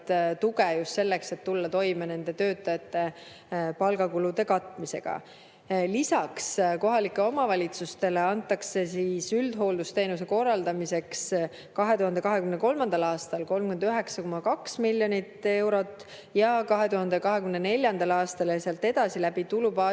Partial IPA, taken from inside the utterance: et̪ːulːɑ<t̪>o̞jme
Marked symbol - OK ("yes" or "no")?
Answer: yes